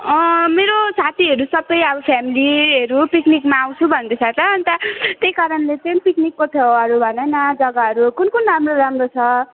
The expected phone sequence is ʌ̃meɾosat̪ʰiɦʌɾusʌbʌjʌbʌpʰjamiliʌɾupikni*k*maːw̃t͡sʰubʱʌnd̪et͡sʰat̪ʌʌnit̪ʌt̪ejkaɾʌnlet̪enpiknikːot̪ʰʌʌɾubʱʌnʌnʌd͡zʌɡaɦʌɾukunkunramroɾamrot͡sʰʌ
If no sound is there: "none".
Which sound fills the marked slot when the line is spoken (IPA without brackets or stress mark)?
k